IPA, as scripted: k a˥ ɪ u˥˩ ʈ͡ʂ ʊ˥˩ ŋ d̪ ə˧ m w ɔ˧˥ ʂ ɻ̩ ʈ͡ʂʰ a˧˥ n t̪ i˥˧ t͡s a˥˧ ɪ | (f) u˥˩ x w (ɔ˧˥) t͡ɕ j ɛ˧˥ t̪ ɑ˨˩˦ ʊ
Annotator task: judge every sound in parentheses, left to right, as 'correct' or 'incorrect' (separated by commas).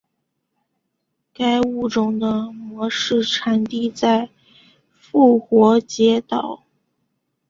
correct, correct